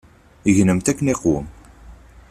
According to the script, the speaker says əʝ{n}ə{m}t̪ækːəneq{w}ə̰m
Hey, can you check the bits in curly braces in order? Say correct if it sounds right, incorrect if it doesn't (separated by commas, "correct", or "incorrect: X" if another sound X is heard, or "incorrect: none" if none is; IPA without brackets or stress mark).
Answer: correct, correct, correct